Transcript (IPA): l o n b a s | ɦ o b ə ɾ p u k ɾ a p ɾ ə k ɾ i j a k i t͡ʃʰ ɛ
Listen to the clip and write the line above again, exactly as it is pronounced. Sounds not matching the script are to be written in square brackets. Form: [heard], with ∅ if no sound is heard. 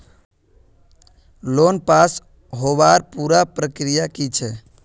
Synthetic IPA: l o n [p] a s | ɦ o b [a] ɾ p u [∅] ɾ a p ɾ ə k ɾ i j a k i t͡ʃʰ ɛ